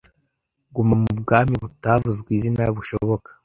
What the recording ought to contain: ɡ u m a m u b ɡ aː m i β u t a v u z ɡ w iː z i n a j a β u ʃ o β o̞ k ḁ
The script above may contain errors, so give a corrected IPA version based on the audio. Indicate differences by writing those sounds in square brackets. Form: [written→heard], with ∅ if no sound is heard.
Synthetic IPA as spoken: ɡ u m a m u b ɡ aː m i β u t a v u z ɡ w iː z i n a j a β u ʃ o β o̞ k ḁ